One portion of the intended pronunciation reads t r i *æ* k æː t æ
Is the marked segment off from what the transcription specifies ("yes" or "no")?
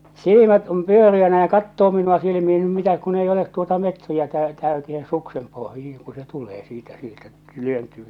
no